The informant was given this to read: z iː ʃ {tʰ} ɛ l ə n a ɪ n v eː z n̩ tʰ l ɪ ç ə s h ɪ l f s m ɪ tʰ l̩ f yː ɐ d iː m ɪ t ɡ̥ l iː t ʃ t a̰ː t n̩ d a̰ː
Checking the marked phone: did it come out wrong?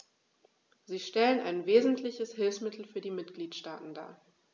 yes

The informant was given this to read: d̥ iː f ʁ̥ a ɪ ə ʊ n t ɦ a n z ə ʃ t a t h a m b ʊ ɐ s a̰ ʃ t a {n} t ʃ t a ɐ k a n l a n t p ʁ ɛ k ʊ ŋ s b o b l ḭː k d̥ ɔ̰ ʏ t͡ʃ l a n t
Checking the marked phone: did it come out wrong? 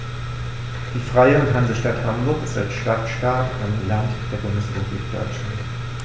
yes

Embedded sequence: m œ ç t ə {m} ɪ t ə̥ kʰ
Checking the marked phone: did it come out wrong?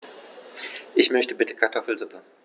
yes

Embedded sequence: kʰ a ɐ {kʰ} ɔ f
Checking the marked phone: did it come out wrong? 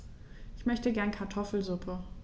yes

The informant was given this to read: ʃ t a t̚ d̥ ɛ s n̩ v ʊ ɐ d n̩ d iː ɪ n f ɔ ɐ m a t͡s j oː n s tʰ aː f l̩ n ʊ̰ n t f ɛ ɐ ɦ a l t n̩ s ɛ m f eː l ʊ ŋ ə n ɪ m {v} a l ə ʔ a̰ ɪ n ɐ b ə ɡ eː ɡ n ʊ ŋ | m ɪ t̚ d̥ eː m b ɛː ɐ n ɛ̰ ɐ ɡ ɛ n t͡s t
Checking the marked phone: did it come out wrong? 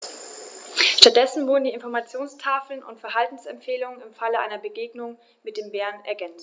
yes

